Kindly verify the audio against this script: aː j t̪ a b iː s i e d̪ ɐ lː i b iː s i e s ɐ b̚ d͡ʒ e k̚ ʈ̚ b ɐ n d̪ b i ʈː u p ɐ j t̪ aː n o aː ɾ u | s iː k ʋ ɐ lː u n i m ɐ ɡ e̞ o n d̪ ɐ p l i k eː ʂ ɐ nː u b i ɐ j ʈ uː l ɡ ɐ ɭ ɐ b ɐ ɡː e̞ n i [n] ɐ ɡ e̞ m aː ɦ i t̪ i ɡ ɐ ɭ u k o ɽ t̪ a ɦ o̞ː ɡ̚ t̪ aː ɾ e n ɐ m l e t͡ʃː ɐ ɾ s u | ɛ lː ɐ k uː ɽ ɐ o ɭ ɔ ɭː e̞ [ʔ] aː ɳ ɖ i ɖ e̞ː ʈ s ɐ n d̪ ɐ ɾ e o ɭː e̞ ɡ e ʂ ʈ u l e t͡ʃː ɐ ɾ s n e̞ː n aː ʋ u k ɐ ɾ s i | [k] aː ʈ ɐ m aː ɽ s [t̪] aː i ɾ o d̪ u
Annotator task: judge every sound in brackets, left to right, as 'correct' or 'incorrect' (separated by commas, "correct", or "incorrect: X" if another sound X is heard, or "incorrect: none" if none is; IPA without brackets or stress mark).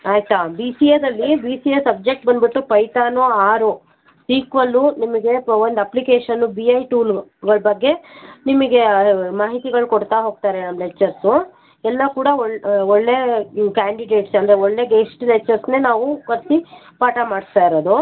incorrect: m, incorrect: k, incorrect: p, correct